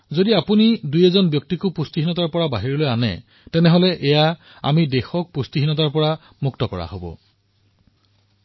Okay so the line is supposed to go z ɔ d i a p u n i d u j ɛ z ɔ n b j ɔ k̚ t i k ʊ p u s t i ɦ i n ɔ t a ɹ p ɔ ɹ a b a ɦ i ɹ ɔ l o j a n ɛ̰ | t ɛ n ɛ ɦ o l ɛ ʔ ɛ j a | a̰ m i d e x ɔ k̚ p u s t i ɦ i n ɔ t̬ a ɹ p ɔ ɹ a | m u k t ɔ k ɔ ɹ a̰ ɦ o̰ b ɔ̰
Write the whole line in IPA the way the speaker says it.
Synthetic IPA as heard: z o d i a p u n i d u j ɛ z ɔ n b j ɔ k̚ t i k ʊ p u s t i ɦ i n ɔ t a ɹ p ɔ ɹ a b a ɦ i ɹ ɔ l o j a n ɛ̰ | t ɛ n ɛ ɦ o l ɛ ʔ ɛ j a | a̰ m i d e x ɔ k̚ p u s t i ɦ i n ɔ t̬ a ɹ p ɔ ɹ a | m u k t ɔ k ɔ ɹ a̰ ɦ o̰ b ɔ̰